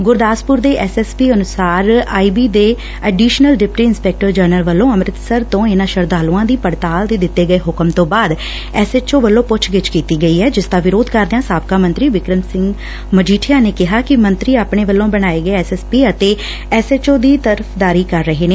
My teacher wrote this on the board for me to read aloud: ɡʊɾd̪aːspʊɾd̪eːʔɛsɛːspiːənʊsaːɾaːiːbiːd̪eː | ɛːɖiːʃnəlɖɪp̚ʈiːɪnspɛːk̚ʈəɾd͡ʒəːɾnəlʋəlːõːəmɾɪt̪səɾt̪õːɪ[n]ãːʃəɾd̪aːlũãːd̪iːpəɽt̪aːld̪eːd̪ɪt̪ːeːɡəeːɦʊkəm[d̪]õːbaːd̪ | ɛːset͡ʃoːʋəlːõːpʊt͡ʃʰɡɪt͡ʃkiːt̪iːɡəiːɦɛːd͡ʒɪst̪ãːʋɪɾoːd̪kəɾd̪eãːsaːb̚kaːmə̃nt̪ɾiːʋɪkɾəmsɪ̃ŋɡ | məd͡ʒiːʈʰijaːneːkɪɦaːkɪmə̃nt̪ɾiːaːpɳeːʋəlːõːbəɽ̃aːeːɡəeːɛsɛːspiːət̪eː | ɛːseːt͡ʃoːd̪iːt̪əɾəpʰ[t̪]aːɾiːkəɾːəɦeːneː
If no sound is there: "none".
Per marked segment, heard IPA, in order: n, t̪, d̪

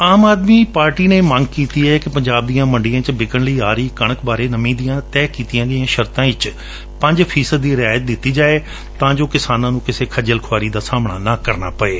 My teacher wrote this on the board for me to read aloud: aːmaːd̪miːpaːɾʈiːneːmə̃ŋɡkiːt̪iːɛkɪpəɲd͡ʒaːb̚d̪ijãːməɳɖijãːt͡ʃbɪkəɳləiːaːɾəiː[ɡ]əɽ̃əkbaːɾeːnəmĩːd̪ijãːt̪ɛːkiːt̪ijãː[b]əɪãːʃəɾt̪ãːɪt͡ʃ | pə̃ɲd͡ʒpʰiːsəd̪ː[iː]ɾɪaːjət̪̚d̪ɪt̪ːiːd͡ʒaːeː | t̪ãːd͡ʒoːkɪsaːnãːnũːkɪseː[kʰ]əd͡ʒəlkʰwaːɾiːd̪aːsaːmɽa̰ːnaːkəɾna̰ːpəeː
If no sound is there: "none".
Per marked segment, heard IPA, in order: k, ɡ, iː, kʰ

